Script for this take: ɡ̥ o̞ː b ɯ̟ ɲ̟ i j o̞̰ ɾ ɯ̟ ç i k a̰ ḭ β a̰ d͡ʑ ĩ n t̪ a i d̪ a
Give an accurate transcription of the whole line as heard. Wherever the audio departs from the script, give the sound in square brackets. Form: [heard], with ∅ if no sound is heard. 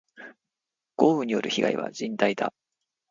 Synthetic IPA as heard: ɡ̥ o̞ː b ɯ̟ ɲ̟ i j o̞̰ ɾ ɯ̟ ç i [ɡ] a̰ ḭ β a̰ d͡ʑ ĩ n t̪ a i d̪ a

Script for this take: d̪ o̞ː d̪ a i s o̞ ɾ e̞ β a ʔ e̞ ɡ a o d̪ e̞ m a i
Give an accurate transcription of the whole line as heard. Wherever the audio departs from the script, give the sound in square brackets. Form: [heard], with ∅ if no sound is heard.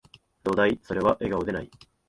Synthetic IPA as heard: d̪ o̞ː d̪ a i s o̞ ɾ e̞ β a ʔ e̞ ɡ a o d̪ e̞ [n] a i

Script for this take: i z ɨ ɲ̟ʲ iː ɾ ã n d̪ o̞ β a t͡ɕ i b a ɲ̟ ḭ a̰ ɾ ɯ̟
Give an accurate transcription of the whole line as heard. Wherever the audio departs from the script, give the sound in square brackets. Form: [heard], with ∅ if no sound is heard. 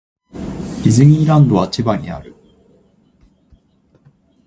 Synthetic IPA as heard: i z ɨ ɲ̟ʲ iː ɾ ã n d̪ o̞ β a t͡ɕ i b a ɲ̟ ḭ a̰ ɾ ɯ̟

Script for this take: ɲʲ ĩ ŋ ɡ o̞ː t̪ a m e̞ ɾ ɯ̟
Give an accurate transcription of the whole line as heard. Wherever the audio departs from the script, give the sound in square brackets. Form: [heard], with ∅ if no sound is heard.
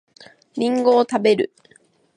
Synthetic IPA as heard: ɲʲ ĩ ŋ ɡ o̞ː t̪ a [b] e̞ ɾ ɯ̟

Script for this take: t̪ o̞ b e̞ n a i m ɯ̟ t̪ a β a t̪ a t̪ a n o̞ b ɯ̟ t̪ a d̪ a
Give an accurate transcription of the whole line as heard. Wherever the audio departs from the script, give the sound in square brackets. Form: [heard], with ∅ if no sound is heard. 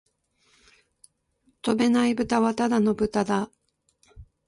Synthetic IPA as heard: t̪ o̞ b e̞ n a i [b] ɯ̟ t̪ a β a t̪ a [d̪] a n o̞ b ɯ̟ t̪ a d̪ a

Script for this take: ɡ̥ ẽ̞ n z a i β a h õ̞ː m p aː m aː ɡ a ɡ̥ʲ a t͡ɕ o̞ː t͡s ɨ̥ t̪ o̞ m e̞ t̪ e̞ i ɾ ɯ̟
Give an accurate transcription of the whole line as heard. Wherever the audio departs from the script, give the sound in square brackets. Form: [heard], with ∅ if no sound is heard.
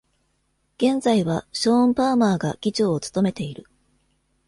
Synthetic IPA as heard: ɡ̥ ẽ̞ n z a i β a [ɕ] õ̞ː m p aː m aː ɡ a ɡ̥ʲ [i] t͡ɕ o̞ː t͡s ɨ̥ t̪ o̞ m e̞ t̪ e̞ i ɾ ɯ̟

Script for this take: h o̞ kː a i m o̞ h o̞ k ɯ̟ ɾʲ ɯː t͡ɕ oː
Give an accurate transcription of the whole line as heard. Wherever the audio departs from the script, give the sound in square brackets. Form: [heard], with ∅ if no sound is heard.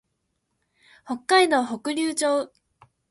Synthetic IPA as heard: h o̞ kː a i [n] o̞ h o̞ k ɯ̟ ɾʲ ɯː t͡ɕ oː

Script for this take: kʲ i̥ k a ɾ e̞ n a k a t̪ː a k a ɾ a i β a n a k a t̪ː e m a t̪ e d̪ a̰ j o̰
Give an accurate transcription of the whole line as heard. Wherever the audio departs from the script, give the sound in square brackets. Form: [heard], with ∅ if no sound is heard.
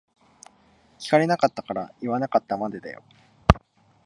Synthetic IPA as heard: kʲ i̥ k a ɾ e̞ n a k a t̪ː a k a ɾ a i β a n a k a t̪ː [a] m a [d̪] e d̪ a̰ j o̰

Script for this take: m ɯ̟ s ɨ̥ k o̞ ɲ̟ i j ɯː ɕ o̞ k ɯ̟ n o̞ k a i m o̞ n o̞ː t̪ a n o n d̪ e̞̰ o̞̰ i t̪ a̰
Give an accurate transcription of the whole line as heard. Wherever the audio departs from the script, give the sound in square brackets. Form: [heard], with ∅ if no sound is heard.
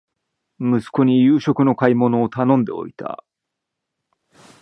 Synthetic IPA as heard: m ɯ̟ s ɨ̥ k o̞ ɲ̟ i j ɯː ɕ o̞ k ɯ̟ n o̞ k a i m o̞ n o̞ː t̪ a n [õ] n d̪ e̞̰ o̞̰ i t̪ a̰

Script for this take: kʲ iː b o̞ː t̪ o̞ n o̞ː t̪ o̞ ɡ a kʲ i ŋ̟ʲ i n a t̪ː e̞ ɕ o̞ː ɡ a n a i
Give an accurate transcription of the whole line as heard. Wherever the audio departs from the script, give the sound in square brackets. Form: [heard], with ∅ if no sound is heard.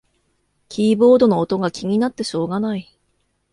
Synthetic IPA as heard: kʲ iː b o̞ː [d̪] o̞ n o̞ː t̪ o̞ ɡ a kʲ i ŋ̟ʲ i n a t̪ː e̞ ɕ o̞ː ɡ a n a i

